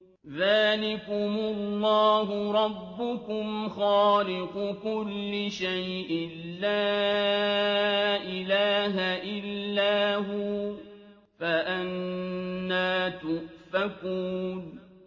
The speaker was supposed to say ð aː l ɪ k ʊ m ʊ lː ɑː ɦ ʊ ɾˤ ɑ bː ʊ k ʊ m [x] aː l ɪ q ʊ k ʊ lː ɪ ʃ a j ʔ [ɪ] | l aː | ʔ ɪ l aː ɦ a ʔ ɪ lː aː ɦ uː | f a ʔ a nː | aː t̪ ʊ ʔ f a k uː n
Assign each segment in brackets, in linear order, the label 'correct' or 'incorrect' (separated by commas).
correct, correct